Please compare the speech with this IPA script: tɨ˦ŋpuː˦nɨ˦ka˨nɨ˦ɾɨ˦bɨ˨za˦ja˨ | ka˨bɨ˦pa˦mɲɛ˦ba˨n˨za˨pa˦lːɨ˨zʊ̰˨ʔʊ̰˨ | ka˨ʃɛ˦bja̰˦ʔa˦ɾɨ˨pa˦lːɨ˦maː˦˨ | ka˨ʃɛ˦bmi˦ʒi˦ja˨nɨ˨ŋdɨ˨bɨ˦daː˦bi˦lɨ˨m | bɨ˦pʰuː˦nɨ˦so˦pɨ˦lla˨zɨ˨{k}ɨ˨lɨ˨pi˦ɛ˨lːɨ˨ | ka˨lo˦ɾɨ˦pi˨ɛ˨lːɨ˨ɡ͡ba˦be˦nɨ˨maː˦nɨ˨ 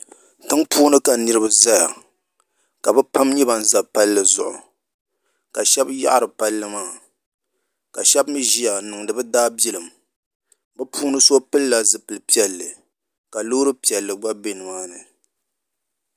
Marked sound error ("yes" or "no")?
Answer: yes